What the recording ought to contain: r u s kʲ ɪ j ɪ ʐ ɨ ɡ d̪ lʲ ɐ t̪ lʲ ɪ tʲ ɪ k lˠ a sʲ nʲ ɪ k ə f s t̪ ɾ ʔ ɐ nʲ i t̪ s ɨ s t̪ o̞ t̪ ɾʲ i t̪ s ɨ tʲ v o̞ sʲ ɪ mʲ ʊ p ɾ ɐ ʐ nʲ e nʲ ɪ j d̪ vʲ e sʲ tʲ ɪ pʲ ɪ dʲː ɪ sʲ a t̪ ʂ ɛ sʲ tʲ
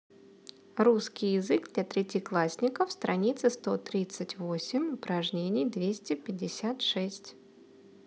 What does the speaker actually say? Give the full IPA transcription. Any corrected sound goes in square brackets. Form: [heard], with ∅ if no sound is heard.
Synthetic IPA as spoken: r u s kʲ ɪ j ɪ [z] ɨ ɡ d̪ lʲ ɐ t̪ [ɾʲ] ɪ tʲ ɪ k lˠ a sʲ nʲ ɪ k ə f s t̪ ɾ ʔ ɐ nʲ i t̪ s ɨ s t̪ o̞ t̪ ɾʲ i t̪ s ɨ tʲ v o̞ sʲ ɪ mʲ ʊ p ɾ ɐ ʐ nʲ e nʲ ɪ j d̪ vʲ e sʲ tʲ ɪ pʲ ɪ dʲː ɪ sʲ a t̪ ʂ ɛ sʲ tʲ